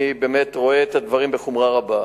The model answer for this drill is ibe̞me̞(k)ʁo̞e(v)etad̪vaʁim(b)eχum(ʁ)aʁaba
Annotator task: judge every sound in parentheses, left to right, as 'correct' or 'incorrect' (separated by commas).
incorrect, incorrect, correct, correct